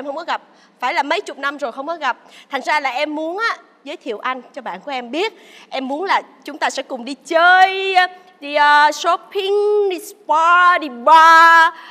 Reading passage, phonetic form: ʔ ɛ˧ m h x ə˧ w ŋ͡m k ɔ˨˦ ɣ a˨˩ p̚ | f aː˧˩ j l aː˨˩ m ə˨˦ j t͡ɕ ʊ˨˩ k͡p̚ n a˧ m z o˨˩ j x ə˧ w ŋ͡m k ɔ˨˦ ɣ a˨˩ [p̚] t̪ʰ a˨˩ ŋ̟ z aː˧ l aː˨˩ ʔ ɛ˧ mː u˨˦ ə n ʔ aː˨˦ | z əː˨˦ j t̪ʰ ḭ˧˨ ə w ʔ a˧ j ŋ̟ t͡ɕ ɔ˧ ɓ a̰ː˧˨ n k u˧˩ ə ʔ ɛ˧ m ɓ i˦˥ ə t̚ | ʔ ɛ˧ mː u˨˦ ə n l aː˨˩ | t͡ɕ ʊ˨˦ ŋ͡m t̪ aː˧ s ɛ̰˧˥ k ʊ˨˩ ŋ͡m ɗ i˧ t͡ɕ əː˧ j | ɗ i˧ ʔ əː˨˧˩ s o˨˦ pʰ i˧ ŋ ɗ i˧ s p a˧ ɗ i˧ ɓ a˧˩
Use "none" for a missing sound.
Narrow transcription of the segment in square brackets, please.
p̚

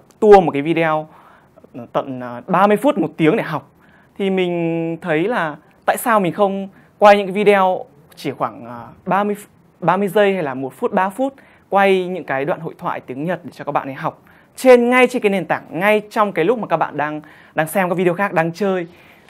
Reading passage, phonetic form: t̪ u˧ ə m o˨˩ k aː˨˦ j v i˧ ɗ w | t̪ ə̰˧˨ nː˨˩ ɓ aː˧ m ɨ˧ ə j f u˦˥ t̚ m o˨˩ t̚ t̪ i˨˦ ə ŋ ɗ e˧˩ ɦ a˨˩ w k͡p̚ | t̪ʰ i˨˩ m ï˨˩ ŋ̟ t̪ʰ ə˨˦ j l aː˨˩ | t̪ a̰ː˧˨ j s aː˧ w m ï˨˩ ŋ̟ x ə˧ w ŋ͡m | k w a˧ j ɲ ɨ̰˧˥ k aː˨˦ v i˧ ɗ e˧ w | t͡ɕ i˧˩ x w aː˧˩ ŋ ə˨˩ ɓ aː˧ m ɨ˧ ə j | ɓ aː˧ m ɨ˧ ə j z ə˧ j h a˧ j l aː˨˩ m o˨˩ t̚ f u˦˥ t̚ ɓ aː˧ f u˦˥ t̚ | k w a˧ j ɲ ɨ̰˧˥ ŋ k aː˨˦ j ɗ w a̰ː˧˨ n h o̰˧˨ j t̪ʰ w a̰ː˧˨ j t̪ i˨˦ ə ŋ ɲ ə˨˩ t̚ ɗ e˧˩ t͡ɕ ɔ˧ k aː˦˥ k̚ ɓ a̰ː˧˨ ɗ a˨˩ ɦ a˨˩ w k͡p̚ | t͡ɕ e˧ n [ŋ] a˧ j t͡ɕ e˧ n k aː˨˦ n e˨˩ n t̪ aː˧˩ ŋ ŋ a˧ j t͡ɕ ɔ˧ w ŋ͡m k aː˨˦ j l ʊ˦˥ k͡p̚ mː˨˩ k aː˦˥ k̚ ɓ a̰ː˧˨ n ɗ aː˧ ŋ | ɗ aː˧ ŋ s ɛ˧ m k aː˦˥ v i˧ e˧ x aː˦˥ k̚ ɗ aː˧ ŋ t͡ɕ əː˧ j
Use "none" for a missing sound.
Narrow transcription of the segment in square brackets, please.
ŋ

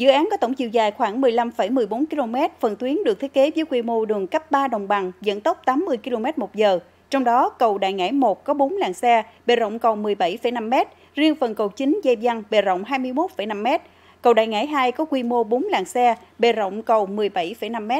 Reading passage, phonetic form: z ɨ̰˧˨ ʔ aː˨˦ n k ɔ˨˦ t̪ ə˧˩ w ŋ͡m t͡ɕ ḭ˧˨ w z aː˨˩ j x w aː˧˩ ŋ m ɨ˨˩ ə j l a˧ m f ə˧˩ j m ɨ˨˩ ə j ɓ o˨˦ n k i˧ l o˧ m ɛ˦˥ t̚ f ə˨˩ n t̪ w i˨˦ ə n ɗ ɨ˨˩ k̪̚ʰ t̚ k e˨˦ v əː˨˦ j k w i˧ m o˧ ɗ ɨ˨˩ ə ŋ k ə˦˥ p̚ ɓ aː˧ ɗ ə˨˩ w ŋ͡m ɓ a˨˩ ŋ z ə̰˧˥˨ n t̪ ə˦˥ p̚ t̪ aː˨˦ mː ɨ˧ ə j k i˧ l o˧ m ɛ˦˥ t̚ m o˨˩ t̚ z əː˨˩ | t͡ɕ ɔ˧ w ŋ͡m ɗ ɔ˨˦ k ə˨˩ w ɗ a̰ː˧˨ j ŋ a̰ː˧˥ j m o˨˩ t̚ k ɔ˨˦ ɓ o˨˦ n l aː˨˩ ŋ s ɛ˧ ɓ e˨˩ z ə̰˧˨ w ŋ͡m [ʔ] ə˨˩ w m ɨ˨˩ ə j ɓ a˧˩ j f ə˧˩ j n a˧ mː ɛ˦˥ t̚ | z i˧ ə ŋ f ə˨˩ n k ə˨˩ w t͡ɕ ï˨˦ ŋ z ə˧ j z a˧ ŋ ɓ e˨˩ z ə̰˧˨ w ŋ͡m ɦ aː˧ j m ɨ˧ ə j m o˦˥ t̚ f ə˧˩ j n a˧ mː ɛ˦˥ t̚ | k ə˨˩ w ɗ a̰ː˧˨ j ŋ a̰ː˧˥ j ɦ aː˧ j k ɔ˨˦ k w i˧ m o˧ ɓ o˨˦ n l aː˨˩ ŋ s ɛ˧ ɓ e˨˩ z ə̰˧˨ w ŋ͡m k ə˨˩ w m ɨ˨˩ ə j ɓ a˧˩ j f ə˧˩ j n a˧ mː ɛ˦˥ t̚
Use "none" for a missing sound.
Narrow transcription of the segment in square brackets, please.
k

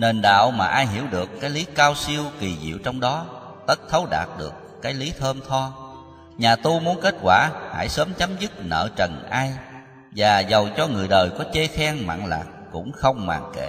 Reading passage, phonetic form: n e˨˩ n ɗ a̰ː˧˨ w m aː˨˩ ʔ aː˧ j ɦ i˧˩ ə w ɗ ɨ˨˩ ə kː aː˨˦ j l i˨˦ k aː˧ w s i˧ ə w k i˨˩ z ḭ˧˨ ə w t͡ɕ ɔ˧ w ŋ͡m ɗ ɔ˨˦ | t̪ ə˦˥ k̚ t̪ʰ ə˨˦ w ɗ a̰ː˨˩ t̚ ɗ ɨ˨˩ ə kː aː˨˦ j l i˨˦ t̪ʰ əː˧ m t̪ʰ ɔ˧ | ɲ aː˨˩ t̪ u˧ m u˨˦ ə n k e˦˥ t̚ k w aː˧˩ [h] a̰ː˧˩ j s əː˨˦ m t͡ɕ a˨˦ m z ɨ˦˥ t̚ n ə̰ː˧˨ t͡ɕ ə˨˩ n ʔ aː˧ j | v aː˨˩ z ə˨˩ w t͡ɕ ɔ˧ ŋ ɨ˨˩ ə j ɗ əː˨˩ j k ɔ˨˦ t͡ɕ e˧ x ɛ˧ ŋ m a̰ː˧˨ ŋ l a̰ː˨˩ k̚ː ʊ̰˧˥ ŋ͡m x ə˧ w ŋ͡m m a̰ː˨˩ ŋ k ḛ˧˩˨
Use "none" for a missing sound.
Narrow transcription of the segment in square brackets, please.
h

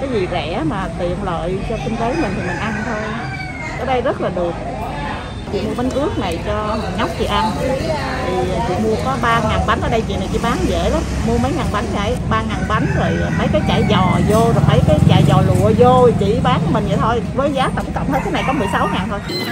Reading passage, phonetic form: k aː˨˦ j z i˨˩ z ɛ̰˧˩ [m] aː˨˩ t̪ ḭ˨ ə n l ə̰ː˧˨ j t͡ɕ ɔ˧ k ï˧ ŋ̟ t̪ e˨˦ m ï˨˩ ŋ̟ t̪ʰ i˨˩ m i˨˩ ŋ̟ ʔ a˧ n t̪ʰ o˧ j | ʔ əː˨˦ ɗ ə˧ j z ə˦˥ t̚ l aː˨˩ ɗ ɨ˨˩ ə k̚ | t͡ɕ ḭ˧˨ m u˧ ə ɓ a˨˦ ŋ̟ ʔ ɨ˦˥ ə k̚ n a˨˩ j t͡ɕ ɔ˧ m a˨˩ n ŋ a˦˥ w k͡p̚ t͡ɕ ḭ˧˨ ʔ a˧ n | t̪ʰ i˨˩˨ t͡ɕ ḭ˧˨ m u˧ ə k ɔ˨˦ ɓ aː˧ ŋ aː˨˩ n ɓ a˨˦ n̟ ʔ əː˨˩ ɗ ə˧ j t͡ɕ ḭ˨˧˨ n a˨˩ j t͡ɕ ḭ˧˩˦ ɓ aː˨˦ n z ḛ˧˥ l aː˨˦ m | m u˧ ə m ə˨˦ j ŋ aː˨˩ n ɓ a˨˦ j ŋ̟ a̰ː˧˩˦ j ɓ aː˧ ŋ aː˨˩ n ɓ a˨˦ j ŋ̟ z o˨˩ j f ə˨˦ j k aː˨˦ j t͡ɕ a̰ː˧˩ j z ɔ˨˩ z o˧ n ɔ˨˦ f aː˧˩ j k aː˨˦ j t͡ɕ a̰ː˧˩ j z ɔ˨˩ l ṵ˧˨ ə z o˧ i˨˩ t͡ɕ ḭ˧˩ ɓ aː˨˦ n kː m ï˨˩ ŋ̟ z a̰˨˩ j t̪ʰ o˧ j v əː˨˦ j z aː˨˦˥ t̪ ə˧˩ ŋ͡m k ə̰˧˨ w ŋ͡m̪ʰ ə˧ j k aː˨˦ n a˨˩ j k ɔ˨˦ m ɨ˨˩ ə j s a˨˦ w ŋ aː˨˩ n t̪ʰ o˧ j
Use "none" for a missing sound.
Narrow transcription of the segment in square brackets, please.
m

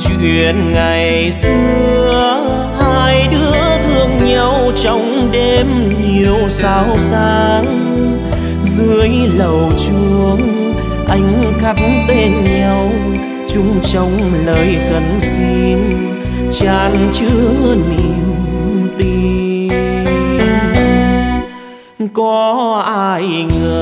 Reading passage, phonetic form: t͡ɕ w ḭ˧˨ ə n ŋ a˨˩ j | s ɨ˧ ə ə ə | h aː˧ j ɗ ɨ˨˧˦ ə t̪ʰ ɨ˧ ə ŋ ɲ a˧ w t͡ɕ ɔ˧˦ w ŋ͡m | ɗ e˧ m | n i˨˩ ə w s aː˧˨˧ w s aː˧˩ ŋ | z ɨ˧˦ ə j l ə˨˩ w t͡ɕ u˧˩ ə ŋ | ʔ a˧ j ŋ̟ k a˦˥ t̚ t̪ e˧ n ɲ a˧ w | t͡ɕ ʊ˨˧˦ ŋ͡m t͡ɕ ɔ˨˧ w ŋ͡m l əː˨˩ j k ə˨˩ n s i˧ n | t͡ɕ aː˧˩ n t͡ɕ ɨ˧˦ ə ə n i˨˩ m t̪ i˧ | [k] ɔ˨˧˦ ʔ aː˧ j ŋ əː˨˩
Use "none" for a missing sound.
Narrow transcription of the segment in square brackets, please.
k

